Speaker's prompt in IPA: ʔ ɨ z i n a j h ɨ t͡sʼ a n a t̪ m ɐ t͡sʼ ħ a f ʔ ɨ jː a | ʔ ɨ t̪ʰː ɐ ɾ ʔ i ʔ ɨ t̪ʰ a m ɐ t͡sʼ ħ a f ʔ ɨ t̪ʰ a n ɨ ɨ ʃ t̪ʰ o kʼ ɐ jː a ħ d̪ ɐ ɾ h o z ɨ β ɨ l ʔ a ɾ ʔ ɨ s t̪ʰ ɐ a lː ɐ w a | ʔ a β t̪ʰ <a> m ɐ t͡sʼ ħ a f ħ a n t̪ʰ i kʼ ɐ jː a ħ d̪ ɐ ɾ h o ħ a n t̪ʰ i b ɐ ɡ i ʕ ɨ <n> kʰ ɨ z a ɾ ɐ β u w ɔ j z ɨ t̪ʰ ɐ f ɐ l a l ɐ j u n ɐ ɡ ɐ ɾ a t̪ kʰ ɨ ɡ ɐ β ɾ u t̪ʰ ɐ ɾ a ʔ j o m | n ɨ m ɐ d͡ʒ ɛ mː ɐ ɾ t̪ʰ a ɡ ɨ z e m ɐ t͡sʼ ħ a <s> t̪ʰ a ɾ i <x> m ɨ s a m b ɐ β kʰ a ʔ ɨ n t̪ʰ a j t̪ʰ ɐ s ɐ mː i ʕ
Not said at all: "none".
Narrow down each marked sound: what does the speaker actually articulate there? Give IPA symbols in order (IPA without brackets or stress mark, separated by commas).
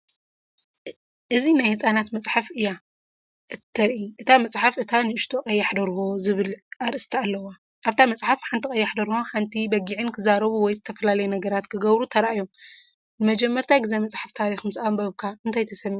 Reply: a, n, f, x